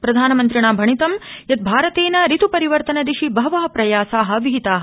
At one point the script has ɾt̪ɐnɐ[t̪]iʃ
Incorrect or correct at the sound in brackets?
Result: incorrect: d̪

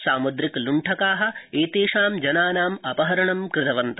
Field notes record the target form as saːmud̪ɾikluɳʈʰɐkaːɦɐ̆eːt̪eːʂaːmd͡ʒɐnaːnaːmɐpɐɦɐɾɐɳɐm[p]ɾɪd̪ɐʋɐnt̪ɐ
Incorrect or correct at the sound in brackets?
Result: incorrect: k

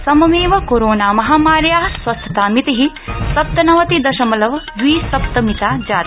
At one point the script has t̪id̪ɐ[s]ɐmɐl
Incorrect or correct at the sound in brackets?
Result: incorrect: ʃ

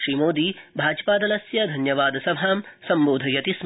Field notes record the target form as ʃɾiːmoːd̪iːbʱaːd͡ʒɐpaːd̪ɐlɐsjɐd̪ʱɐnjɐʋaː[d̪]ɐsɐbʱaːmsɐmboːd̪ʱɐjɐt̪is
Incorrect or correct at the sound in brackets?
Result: correct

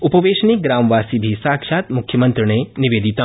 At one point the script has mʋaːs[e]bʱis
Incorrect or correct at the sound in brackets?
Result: incorrect: i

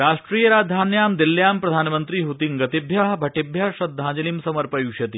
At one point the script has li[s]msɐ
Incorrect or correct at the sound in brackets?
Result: incorrect: none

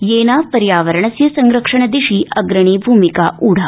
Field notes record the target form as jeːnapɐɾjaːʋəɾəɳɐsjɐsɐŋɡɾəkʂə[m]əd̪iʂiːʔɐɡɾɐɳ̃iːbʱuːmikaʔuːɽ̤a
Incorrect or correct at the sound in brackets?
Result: incorrect: ɳ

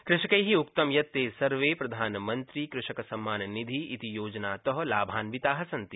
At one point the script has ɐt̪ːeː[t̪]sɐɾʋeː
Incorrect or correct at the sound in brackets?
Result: incorrect: none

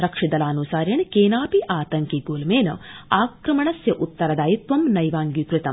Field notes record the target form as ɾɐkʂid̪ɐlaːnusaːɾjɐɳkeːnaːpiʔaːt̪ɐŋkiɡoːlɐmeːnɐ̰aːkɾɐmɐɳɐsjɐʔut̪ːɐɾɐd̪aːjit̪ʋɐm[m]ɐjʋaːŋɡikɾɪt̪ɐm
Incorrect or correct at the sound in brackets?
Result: incorrect: n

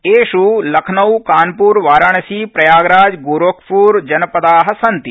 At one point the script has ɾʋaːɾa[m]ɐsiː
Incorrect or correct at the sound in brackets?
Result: incorrect: ɳ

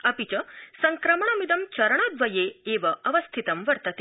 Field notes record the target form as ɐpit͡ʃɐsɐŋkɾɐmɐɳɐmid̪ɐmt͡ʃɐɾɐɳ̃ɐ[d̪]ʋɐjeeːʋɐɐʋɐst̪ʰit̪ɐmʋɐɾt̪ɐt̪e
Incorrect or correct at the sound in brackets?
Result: correct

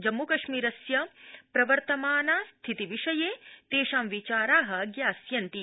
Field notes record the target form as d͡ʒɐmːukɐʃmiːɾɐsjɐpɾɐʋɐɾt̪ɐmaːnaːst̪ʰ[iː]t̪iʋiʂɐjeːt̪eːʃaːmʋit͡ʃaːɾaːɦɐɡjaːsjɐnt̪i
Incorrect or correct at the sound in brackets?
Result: incorrect: i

